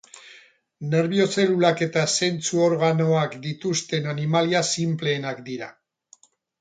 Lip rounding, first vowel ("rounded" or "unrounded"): unrounded